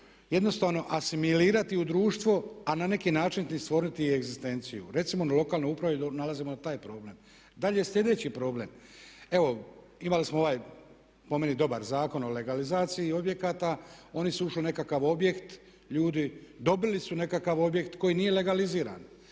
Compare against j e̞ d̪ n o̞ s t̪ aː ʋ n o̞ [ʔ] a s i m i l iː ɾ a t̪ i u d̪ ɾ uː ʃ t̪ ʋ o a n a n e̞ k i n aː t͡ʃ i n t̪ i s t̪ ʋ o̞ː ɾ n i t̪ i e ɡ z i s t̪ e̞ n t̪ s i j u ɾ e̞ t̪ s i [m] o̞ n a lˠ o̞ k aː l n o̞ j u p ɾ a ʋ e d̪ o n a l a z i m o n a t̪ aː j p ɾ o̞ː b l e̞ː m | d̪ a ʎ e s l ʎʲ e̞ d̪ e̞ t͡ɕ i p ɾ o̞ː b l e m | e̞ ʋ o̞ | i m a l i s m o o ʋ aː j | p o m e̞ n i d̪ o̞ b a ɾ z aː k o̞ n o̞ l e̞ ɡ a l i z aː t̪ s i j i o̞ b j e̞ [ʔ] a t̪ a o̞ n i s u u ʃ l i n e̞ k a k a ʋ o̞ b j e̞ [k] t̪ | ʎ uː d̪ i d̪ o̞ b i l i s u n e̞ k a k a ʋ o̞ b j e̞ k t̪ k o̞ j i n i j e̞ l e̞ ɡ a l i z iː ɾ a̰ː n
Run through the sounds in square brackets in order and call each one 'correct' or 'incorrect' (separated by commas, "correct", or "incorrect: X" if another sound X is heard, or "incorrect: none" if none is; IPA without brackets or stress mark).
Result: correct, correct, incorrect: k, correct